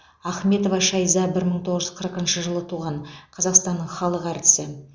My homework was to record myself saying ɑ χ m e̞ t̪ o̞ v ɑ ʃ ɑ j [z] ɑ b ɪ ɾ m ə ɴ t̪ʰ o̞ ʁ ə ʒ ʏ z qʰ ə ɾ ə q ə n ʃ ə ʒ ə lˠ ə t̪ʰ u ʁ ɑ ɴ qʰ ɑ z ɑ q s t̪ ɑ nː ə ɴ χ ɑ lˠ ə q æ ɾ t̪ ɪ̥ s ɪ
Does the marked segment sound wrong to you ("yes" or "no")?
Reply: no